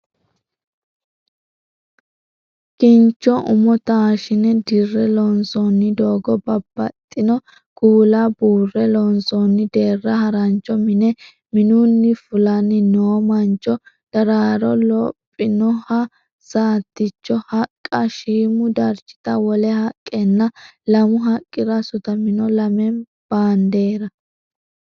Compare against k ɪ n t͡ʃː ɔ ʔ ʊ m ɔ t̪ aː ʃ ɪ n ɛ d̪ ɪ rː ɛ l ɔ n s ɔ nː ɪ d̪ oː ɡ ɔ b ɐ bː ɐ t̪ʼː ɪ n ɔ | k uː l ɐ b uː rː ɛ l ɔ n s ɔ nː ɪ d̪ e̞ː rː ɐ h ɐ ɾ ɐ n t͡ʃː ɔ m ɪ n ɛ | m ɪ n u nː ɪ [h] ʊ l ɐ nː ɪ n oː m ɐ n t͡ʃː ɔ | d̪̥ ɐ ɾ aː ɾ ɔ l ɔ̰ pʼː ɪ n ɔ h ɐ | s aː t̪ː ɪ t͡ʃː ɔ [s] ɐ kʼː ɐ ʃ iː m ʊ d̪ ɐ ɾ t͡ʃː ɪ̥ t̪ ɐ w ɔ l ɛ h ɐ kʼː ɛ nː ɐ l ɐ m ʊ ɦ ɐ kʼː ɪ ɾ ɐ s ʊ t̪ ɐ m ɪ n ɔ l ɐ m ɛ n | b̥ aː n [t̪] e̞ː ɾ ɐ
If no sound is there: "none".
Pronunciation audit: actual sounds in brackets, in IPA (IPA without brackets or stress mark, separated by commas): f, h, d̪